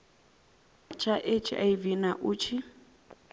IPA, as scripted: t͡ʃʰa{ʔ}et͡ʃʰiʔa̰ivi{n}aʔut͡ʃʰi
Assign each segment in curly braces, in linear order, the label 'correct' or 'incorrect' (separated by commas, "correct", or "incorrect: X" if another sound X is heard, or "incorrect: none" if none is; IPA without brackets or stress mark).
correct, correct